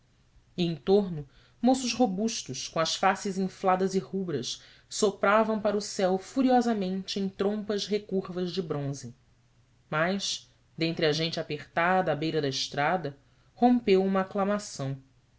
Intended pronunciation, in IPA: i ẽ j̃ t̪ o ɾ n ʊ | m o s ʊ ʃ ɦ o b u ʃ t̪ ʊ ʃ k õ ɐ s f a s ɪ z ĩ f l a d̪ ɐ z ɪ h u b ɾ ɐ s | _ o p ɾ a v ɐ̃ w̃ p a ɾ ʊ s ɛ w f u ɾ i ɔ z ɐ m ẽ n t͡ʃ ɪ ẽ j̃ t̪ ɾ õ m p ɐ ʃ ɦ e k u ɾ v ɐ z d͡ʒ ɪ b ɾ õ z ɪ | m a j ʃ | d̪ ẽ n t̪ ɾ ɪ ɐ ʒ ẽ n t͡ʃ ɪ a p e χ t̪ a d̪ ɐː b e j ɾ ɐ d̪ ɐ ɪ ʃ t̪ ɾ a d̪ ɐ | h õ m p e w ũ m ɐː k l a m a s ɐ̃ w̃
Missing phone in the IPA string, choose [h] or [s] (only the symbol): s